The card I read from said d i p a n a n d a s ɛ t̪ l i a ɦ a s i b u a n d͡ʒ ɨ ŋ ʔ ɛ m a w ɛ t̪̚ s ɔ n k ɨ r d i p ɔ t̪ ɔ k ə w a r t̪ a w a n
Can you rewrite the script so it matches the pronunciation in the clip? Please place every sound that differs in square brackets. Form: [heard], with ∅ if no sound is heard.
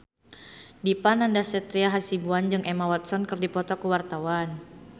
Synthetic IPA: d i p a n a n d a s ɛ t̪ [ɾ] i a ɦ a s i b u a n d͡ʒ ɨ ŋ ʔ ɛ m a w [a] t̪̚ s ɔ n k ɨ r d i p ɔ t̪ ɔ k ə w a r t̪ a w a n

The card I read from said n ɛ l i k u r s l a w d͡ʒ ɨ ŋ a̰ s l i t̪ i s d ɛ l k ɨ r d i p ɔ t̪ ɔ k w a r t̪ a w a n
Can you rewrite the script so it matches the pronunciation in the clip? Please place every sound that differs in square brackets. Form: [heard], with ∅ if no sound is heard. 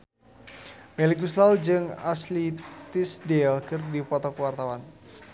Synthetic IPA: [m] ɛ l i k u [∅] s l a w d͡ʒ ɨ ŋ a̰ s l i t̪ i s d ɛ l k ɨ r d i p ɔ t̪ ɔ k w a r t̪ a w a n

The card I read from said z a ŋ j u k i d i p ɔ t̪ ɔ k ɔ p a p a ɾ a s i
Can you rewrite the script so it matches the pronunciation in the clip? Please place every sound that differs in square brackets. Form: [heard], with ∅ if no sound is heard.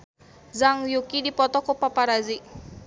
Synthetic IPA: z a ŋ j u k i d i p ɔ t̪ ɔ k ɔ p a p a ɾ a [z] i

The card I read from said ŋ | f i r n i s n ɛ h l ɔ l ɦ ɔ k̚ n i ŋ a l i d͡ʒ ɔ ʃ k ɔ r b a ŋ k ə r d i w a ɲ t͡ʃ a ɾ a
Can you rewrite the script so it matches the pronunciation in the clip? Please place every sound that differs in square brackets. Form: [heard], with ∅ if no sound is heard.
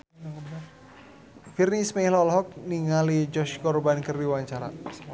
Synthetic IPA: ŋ | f i r n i s [m] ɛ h l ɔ l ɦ ɔ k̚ n i ŋ a l i d͡ʒ ɔ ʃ k ɔ r b a [n] k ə r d i w a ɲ t͡ʃ a ɾ a

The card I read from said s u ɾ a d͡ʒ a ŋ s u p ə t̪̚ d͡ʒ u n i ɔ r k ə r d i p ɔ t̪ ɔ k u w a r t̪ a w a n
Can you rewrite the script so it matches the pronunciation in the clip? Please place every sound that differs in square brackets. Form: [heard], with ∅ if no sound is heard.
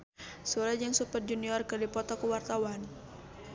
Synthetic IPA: s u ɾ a d͡ʒ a ŋ s u p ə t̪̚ d͡ʒ u n i ɔ r k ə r d i p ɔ t̪ ɔ k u w a r t̪ a w a n

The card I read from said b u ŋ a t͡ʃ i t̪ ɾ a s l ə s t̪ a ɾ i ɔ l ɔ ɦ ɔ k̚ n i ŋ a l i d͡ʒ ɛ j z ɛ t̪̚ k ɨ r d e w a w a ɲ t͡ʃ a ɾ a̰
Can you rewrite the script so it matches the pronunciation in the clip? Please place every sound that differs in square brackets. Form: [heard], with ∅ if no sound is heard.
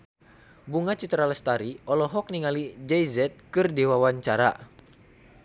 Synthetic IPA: b u ŋ a t͡ʃ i t̪ ɾ a [∅] l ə s t̪ a ɾ i ɔ l ɔ ɦ ɔ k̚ n i ŋ a l i d͡ʒ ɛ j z ɛ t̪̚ k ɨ r d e w a w a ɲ t͡ʃ a ɾ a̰

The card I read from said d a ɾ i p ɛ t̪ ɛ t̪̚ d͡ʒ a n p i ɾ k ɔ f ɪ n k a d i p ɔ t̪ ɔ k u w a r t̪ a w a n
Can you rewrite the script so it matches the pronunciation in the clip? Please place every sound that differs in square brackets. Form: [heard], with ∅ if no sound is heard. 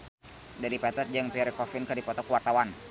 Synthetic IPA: d a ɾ i p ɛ t̪ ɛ t̪̚ d͡ʒ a [ŋ] p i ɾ k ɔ f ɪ n k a d i p ɔ t̪ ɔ k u w a r t̪ a w a n

